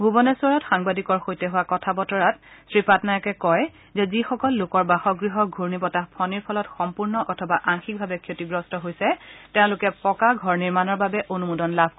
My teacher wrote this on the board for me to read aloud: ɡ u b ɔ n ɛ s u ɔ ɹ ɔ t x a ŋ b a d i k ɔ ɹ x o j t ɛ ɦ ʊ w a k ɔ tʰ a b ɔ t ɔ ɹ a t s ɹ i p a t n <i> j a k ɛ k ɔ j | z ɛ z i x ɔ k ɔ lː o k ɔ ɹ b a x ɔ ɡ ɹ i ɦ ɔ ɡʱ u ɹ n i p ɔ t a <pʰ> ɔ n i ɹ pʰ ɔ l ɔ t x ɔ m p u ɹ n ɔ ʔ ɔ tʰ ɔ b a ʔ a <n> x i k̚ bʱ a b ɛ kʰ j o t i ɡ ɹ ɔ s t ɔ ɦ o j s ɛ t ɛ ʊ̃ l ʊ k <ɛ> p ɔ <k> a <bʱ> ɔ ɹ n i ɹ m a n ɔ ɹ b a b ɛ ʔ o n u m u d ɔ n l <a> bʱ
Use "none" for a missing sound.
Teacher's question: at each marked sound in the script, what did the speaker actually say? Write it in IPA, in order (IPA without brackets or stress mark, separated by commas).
a, pʰ, ŋ, ɛ, k, ɡʱ, a